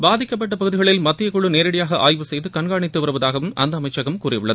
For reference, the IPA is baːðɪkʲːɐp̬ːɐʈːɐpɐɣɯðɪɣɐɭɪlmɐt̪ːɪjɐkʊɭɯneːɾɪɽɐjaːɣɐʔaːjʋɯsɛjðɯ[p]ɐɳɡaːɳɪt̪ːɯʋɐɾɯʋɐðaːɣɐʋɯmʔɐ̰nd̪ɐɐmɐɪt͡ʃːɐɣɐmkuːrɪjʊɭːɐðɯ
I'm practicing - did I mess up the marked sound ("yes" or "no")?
yes